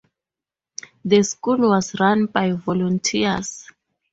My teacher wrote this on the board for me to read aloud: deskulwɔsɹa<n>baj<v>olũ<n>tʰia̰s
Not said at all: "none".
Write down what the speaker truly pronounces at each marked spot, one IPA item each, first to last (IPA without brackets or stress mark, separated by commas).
n, v, n